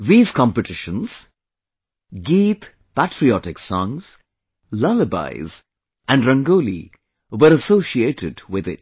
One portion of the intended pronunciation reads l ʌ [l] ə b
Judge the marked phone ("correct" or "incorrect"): correct